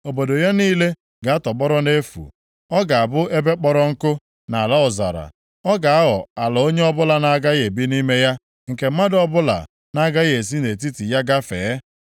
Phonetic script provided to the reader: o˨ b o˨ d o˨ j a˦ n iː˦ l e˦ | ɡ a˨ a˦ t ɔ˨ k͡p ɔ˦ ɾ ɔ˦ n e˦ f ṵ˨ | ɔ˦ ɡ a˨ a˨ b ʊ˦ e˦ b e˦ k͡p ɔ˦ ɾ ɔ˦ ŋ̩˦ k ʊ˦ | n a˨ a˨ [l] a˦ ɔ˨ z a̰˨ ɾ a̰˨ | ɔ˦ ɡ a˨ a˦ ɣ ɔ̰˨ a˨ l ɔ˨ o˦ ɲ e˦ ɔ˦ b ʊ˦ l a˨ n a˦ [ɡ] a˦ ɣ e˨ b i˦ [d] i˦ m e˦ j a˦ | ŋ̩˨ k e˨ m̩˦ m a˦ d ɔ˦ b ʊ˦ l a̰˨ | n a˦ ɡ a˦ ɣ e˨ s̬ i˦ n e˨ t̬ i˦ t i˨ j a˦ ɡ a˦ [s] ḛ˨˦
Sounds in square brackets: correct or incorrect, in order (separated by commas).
correct, correct, incorrect, incorrect